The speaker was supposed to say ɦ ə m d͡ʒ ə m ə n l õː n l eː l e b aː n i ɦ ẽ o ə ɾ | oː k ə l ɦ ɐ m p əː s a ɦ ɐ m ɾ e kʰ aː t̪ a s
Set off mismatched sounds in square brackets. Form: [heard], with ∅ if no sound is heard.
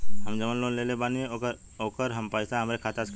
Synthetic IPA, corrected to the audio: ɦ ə m d͡ʒ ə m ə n l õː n l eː l e b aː n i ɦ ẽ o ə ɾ | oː k ə [ɾ] ɦ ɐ m p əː s a ɦ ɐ m ɾ e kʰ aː t̪ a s

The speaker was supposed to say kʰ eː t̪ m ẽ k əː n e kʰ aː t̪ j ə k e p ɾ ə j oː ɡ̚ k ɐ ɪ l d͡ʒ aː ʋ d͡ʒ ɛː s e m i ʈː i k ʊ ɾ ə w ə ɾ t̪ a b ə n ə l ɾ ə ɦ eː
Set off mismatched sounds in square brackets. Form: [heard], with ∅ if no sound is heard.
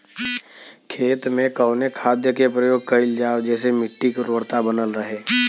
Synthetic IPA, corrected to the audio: kʰ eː t̪ m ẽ k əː n e kʰ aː [d̪] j ə k e p ɾ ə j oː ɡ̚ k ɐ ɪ l d͡ʒ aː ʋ d͡ʒ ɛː s e m [ɪ] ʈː i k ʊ ɾ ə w ə ɾ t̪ a b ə n ə l ɾ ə ɦ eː

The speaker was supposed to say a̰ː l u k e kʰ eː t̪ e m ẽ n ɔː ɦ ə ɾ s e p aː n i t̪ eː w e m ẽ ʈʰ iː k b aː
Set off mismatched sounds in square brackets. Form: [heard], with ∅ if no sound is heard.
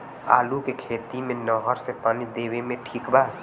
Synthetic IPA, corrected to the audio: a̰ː l u k e kʰ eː t̪ [i] m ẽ n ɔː ɦ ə ɾ s e p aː n i [d̪] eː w e m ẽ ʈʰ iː k b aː

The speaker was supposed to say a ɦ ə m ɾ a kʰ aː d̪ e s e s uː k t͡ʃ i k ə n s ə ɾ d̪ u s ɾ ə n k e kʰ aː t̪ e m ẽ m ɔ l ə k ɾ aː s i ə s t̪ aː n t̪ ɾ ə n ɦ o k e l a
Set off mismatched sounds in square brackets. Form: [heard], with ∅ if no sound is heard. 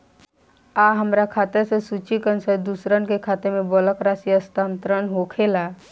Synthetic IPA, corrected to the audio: a ɦ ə m ɾ a kʰ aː [t̪] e s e s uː [∅] t͡ʃ i k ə n s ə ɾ d̪ u s ɾ ə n k e kʰ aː t̪ e m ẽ [b] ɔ l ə k ɾ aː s i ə s t̪ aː n t̪ ɾ ə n ɦ o [kʰ] e l a

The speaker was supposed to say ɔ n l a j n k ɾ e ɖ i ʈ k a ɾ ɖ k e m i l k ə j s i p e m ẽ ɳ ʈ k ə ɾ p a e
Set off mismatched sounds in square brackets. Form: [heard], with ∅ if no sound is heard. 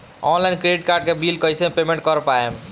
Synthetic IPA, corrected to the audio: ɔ n l a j n k ɾ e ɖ i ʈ k a ɾ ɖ k e [b] i l k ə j s [e] p e m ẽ ɳ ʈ k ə ɾ p a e

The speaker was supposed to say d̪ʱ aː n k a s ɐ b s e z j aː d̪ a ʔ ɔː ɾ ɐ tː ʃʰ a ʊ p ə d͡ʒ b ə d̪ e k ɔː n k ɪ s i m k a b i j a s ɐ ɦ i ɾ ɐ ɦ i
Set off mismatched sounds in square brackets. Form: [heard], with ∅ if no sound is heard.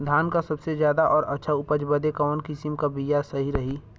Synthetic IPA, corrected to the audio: d̪ʱ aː n k a s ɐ b s e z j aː d̪ a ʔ ɔː ɾ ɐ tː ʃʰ a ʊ p ə d͡ʒ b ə d̪ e k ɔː n k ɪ s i m k a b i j a s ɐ ɦ i ɾ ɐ ɦ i

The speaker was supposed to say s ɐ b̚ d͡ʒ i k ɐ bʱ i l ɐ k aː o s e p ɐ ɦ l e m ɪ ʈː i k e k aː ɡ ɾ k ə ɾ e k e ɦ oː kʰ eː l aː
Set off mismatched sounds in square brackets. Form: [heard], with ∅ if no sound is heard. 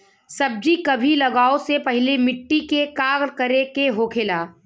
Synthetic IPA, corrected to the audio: s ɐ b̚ d͡ʒ i k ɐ bʱ i l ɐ [ɡ] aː o s e p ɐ ɦ l e m ɪ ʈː i k e k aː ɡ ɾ k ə ɾ e k e ɦ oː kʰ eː l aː

